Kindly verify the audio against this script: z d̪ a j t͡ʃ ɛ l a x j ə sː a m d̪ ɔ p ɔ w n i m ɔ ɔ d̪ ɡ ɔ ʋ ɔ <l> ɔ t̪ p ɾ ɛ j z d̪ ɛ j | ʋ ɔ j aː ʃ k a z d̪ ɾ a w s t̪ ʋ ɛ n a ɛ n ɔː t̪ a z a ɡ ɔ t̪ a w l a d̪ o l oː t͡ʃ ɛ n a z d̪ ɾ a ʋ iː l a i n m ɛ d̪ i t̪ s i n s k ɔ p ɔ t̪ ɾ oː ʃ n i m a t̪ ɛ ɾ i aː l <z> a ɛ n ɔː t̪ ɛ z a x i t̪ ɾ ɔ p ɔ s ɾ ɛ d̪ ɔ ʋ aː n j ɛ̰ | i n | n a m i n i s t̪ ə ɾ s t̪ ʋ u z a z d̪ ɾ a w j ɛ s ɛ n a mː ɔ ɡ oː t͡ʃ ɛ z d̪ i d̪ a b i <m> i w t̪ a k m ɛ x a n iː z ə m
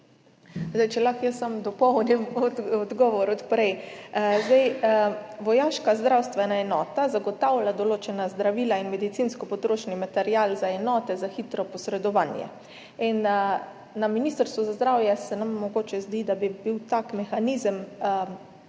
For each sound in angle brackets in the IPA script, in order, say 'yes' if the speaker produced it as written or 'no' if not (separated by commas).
no, yes, no